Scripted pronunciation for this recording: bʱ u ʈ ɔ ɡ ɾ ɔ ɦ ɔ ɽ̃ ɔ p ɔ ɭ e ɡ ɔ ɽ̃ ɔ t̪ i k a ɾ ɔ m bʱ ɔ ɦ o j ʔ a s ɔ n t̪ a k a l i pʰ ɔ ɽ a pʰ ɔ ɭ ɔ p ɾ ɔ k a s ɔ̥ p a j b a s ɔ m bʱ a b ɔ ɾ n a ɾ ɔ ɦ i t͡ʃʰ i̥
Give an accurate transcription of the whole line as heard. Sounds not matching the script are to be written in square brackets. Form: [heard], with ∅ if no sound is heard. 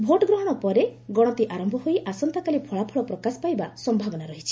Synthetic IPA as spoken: bʱ [o] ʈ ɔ ɡ ɾ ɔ ɦ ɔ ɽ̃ ɔ p ɔ [ɾ] e ɡ ɔ ɽ̃ ɔ t̪ i [ʔ] a ɾ ɔ m bʱ ɔ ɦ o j ʔ a s ɔ n t̪ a k a l i pʰ ɔ [ɭ] a pʰ ɔ ɭ ɔ p ɾ ɔ k a s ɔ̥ p a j b a s ɔ m bʱ a b ɔ [∅] n a ɾ ɔ ɦ i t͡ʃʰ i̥